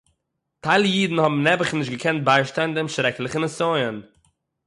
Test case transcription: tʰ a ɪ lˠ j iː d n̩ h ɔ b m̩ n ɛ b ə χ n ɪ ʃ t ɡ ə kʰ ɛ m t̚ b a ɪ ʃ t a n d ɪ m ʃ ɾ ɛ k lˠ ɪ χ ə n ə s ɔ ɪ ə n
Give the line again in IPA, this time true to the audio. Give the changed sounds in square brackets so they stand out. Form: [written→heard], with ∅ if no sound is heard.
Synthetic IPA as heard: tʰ a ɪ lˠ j iː d n̩ h ɔ b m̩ n ɛ b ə χ n ɪ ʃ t ɡ ə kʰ ɛ [m→n] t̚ b a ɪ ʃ t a n d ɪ m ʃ ɾ ɛ k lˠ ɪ χ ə n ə s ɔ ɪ ə n